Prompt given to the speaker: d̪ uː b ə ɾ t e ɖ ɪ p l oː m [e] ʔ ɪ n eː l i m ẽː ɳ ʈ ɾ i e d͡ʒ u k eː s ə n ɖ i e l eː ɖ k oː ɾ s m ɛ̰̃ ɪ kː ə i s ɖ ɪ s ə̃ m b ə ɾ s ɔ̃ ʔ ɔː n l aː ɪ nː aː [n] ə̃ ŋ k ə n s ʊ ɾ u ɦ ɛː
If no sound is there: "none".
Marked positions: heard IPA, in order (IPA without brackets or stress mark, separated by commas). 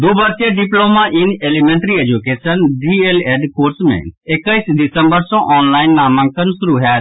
a, m